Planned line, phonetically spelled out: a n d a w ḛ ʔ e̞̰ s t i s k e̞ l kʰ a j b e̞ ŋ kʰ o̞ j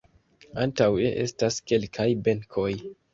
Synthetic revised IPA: a n t a w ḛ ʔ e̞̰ s t a s k e̞ l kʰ a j b e̞ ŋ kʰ o̞ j